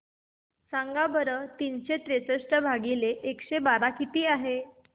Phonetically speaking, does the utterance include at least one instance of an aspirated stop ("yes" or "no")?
no